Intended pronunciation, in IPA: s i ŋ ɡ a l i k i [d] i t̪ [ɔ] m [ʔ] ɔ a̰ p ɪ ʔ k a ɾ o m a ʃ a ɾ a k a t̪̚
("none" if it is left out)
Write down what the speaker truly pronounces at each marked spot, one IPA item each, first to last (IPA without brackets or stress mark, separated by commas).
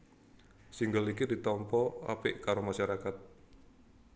d, ɔ, p